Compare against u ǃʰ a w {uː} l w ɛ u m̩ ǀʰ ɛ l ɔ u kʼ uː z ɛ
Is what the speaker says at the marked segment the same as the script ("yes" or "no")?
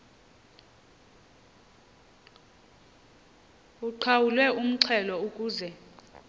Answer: no